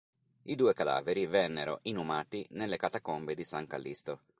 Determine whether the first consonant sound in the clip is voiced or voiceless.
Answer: voiced